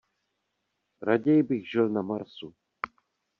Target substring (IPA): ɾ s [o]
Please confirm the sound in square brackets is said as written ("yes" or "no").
no